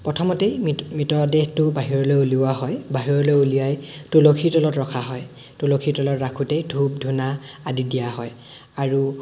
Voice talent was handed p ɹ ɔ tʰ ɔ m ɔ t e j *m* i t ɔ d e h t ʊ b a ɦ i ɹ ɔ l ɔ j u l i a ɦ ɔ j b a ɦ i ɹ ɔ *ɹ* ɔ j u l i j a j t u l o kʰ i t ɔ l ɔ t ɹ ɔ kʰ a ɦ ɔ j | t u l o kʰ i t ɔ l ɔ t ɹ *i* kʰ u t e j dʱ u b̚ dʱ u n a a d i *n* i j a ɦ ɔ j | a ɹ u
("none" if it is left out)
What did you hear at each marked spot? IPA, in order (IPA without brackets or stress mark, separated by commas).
m, l, a, d